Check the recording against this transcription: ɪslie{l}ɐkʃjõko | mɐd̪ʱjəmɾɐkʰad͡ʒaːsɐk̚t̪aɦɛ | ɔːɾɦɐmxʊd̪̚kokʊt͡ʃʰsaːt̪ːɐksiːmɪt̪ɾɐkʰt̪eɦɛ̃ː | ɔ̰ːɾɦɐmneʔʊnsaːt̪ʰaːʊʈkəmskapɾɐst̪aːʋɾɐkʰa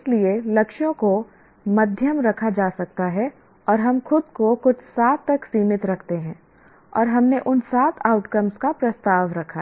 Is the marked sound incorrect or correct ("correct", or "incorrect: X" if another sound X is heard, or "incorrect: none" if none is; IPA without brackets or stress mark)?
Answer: correct